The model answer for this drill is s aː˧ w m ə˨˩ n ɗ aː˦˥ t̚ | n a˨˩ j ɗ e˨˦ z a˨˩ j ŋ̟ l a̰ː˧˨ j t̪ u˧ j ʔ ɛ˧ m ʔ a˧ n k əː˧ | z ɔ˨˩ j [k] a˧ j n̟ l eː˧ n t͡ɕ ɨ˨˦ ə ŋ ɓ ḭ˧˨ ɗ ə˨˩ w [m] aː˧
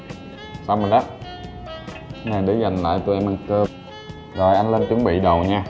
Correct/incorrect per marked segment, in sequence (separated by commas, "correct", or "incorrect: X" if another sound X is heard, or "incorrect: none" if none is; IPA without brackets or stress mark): incorrect: ʔ, incorrect: ɲ